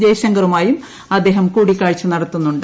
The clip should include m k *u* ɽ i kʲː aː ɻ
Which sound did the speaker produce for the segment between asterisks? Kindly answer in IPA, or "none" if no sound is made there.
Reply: uː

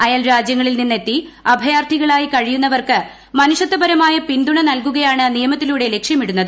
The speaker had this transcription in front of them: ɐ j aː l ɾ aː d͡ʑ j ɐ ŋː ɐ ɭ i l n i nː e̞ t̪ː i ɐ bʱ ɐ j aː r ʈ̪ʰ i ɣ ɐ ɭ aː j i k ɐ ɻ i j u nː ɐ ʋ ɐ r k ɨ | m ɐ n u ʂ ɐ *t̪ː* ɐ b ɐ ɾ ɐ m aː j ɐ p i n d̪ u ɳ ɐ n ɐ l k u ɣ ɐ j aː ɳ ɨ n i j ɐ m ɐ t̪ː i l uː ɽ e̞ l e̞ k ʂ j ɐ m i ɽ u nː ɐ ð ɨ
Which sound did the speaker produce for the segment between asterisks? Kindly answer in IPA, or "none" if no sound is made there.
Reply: t̪ː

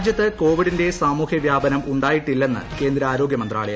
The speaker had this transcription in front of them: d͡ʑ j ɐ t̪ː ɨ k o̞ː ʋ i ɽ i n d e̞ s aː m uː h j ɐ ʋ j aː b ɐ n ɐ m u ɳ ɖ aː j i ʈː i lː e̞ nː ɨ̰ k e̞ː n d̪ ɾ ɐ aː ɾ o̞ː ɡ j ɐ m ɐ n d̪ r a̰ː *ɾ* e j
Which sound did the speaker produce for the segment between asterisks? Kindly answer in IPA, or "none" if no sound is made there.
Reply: ɭ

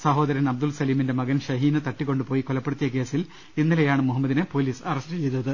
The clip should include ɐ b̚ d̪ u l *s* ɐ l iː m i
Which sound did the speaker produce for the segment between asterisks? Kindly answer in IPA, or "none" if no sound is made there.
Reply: s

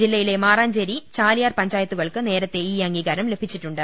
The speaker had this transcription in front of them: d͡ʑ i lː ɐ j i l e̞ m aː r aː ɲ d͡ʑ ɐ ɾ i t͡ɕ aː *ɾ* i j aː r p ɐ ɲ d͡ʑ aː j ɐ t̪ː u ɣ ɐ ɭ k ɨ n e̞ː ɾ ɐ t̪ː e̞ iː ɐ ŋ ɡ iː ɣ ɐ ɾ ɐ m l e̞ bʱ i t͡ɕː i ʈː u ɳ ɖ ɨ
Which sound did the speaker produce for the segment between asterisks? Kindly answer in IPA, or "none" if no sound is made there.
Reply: l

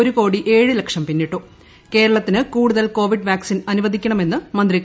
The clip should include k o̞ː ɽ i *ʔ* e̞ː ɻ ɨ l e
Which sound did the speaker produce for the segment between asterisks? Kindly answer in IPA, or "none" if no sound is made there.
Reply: ʔ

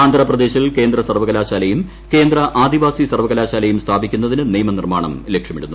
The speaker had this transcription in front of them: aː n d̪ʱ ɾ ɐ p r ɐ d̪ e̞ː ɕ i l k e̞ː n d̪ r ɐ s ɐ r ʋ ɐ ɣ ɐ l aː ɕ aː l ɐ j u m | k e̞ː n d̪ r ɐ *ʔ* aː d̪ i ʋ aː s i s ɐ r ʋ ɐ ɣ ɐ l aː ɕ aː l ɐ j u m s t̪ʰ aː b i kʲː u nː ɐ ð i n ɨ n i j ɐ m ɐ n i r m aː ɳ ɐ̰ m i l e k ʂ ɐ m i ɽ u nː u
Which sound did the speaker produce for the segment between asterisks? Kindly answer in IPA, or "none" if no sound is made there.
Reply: ʔ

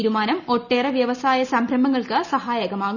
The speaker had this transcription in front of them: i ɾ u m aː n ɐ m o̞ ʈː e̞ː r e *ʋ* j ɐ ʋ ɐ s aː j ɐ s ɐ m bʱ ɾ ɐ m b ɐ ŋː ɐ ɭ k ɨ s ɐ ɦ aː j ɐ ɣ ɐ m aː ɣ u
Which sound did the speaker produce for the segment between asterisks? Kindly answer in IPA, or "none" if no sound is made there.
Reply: ʋ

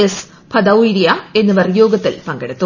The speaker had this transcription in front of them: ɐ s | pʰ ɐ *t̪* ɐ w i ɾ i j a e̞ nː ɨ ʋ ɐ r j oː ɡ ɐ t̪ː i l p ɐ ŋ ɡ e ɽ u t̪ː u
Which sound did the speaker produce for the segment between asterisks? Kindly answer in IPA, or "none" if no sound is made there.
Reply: d̪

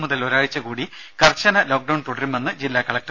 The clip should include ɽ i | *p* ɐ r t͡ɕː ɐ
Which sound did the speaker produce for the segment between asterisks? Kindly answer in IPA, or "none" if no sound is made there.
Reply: k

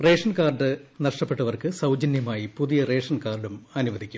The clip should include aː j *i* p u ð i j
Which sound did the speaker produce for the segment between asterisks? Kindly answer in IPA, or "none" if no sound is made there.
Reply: i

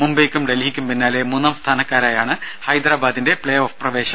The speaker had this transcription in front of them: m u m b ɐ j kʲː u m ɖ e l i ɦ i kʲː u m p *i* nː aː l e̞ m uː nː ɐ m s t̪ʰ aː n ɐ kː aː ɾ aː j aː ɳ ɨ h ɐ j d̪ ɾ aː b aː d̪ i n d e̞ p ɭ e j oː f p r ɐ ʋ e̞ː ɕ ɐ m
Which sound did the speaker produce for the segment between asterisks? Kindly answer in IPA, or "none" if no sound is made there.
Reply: i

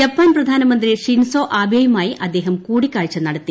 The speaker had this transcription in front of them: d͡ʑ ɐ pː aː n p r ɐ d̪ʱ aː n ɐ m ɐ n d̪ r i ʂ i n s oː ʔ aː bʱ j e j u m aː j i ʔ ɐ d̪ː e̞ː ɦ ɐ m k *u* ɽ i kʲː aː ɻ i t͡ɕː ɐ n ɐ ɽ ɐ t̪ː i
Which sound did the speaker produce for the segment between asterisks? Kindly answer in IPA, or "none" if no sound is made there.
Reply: uː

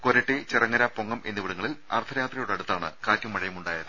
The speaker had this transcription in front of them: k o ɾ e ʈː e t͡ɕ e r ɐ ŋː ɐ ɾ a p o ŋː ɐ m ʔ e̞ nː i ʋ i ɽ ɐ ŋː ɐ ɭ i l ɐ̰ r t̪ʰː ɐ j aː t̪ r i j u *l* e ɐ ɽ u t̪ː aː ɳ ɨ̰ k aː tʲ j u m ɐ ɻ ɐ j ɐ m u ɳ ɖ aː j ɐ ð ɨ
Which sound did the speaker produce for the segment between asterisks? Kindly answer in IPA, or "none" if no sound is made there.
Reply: ɽ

